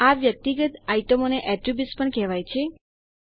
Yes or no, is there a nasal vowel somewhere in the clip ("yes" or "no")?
no